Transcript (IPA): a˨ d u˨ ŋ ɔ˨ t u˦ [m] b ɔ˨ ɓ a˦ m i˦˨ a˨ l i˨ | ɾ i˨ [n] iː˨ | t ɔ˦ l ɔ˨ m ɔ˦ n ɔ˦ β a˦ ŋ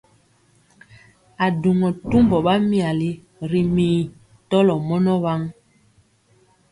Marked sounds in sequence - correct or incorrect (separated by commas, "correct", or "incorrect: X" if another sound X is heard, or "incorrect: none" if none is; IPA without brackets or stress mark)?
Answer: correct, incorrect: m